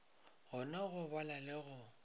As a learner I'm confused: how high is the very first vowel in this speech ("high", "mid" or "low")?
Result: high